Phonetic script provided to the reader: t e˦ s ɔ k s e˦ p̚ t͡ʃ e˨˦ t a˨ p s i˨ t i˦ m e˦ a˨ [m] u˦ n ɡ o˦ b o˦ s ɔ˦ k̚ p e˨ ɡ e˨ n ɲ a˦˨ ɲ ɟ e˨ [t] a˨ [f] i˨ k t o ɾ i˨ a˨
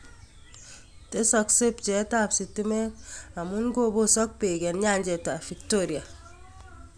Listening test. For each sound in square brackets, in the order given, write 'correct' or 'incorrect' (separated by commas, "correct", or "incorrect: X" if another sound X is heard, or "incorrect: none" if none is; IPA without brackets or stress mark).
correct, correct, correct